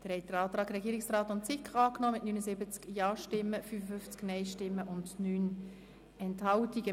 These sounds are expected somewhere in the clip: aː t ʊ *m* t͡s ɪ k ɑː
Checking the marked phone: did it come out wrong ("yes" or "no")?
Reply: yes